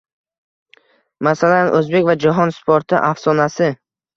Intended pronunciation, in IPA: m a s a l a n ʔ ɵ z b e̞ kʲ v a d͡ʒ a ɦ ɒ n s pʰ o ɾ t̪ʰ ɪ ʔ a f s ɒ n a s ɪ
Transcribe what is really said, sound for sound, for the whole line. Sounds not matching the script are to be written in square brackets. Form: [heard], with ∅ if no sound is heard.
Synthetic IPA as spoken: m a s a l a n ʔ ɵ z b e̞ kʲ v a d͡ʒ a ɦ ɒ n s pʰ o ɾ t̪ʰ ɪ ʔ a f s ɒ n a s ɪ